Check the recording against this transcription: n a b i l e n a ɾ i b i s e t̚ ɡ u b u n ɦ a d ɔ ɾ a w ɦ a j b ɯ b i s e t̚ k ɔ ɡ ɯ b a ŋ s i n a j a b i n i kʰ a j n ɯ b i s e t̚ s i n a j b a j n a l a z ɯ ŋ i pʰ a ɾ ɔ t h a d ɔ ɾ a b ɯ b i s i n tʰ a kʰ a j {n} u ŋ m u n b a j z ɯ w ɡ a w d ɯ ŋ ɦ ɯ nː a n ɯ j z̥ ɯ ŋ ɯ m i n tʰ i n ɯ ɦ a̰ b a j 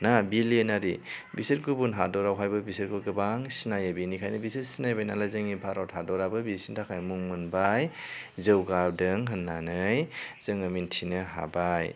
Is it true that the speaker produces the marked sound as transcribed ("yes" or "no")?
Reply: no